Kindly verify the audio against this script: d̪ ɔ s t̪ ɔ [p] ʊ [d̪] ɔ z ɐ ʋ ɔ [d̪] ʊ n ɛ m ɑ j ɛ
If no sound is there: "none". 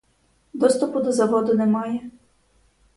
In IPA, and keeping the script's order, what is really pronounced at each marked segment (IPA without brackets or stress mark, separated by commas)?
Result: p, d̪, d̪